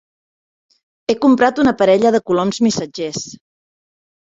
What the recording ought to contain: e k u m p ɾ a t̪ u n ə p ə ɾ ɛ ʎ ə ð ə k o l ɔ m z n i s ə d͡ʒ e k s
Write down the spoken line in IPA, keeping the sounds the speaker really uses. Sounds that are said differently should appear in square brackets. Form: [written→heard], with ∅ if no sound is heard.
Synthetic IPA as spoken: e k u m p ɾ a t̪ u n ə p ə ɾ ɛ ʎ ə ð ə k [o→u] l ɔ m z [n→m] i s ə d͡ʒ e [k→∅] s